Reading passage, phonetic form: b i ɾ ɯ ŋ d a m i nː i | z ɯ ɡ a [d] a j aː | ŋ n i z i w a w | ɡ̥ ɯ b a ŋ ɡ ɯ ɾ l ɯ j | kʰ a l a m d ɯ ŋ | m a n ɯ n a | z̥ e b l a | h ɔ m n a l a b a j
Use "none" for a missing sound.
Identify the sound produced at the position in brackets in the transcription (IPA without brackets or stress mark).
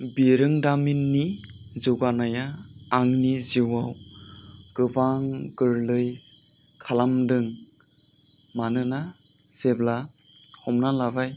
n